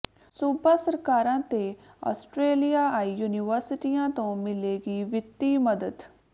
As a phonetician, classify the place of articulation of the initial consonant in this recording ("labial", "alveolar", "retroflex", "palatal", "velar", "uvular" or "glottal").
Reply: alveolar